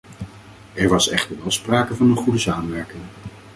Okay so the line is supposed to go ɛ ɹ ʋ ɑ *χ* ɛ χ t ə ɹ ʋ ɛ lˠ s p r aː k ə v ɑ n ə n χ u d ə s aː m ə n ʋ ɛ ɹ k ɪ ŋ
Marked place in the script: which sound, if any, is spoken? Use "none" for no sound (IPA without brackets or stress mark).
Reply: s